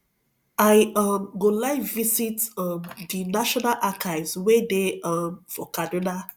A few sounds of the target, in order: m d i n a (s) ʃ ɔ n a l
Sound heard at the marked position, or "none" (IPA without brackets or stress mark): none